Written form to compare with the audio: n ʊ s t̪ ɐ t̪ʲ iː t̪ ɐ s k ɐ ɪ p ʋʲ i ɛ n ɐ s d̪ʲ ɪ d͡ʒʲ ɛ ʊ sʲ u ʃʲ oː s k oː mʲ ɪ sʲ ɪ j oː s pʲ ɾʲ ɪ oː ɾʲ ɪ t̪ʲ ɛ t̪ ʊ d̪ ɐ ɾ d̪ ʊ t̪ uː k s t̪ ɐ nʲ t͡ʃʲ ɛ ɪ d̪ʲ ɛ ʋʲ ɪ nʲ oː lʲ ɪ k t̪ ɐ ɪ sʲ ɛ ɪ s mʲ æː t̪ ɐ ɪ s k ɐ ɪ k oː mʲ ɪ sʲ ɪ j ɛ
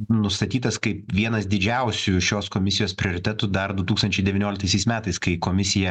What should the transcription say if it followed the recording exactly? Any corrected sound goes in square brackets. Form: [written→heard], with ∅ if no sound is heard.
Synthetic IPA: n ʊ s t̪ ɐ t̪ʲ iː t̪ ɐ s k ɐ ɪ p ʋʲ i ɛ n ɐ s d̪ʲ ɪ d͡ʒʲ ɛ ʊ sʲ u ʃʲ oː s k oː mʲ ɪ sʲ ɪ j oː s pʲ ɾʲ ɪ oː ɾʲ ɪ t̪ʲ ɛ t̪ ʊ d̪ ɐ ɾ d̪ ʊ t̪ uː k s t̪ ɐ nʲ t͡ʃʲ ɛ ɪ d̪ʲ ɛ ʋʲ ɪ nʲ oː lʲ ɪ k t̪ ɐ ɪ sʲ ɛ ɪ s mʲ æː t̪ ɐ ɪ s k ɐ ɪ k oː mʲ ɪ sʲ ɪ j ɛ

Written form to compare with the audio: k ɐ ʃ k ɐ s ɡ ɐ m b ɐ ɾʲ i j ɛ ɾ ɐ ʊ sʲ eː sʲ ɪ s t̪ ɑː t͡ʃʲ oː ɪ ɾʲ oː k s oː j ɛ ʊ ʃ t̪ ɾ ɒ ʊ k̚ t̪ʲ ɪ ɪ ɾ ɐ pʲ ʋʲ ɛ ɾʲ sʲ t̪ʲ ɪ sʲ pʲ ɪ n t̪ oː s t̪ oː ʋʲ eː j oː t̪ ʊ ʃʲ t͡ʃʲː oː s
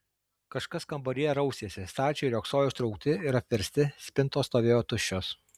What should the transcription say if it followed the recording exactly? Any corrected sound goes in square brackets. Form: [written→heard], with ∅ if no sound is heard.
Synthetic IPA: k ɐ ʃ k ɐ s [ɡ→k] ɐ m b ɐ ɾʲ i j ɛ ɾ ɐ ʊ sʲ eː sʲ ɪ s t̪ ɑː t͡ʃʲ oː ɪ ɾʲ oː k s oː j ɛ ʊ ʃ t̪ ɾ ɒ ʊ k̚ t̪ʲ ɪ ɪ ɾ ɐ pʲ ʋʲ ɛ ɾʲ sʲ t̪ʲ ɪ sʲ pʲ ɪ n t̪ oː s t̪ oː ʋʲ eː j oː t̪ ʊ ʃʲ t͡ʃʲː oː s

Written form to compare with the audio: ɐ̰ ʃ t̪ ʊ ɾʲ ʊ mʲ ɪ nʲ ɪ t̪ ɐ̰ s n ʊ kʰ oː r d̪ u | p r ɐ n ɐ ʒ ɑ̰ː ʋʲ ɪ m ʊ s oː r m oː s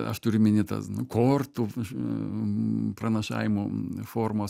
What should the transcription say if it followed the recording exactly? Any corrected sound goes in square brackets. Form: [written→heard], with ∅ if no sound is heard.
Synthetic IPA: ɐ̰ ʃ t̪ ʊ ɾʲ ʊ mʲ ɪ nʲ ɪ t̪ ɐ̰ s n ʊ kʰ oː r [d̪→t̪] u | p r ɐ n ɐ [ʒ→ʃ] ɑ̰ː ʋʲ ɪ m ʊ [s→f] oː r m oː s

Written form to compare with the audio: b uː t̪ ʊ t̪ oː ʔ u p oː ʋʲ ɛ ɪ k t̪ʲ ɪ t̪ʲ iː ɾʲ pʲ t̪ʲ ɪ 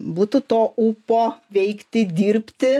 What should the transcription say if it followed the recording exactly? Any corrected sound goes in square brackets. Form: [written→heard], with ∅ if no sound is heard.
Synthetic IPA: b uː t̪ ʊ t̪ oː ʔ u p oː ʋʲ ɛ ɪ k t̪ʲ ɪ [t̪ʲ→d̪ʲ] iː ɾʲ pʲ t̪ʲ ɪ

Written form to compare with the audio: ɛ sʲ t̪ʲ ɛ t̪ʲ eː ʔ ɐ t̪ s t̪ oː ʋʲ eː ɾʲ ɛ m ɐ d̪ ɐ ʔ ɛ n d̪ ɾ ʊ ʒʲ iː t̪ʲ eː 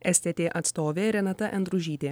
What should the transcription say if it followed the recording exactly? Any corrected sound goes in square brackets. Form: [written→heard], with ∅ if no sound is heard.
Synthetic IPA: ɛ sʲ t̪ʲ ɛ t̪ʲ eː ʔ ɐ t̪ s t̪ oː ʋʲ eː ɾʲ ɛ [m→n] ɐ [d̪→t̪] ɐ ʔ ɛ n d̪ ɾ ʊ ʒʲ iː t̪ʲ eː

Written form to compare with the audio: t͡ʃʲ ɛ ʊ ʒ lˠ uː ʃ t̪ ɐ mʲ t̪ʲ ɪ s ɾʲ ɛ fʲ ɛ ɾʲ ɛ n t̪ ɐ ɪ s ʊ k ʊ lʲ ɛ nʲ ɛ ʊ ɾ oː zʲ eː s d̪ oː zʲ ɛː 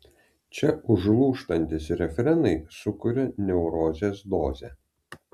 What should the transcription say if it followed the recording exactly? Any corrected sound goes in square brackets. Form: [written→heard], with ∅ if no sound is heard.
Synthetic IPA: t͡ʃʲ ɛ ʊ ʒ lˠ uː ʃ t̪ ɐ [mʲ→nʲ] t̪ʲ ɪ s ɾʲ ɛ fʲ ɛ ɾʲ ɛ n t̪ ɐ ɪ s ʊ k ʊ [lʲ→ɾʲ] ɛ nʲ ɛ ʊ ɾ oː zʲ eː s d̪ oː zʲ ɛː

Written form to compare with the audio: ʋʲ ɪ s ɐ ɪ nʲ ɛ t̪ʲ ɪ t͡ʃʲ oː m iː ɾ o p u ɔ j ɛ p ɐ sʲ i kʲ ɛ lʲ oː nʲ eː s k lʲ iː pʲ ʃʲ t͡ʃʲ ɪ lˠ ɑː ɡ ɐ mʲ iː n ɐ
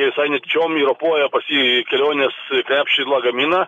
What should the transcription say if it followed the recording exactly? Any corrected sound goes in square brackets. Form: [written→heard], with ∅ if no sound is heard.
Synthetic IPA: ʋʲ ɪ s ɐ ɪ nʲ ɛ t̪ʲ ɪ t͡ʃʲ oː m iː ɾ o p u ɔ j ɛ p ɐ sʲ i kʲ ɛ lʲ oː nʲ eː s k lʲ [iː→æː] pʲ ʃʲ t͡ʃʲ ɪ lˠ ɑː ɡ ɐ mʲ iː n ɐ

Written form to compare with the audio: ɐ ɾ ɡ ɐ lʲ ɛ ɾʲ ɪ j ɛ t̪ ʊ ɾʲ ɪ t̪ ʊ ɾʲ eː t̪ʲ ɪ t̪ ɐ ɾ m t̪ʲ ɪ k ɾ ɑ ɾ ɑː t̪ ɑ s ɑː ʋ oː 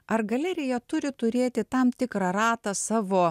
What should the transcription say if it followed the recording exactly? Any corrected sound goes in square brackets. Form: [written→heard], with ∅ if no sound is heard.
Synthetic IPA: ɐ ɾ ɡ ɐ lʲ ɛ ɾʲ ɪ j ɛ t̪ ʊ ɾʲ ɪ t̪ ʊ ɾʲ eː t̪ʲ ɪ t̪ ɐ [ɾ→∅] m t̪ʲ ɪ k ɾ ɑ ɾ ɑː t̪ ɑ s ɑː ʋ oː

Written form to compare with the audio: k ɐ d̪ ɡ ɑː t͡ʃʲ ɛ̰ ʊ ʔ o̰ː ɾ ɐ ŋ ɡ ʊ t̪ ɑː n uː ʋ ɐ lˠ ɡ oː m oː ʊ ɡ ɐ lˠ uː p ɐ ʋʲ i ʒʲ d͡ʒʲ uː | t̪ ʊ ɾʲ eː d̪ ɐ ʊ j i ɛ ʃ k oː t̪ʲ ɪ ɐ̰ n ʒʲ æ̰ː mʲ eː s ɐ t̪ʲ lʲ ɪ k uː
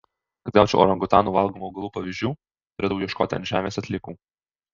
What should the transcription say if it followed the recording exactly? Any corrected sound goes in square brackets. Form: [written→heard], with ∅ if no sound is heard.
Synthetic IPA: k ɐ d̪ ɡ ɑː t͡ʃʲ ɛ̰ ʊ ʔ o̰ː ɾ ɐ ŋ ɡ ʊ t̪ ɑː n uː ʋ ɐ lˠ ɡ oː m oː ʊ ɡ ɐ lˠ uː p ɐ ʋʲ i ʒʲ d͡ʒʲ uː | t̪ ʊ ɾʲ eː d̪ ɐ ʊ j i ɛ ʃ k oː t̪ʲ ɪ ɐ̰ n ʒʲ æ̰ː mʲ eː s ɐ t̪ʲ lʲ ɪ k uː

